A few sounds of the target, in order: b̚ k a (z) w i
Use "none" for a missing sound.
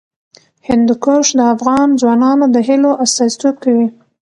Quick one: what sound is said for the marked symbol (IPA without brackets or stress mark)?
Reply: none